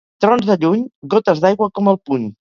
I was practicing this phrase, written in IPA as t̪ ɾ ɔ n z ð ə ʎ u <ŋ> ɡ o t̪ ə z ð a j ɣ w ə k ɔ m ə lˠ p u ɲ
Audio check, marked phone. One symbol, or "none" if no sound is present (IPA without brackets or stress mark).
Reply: ɲ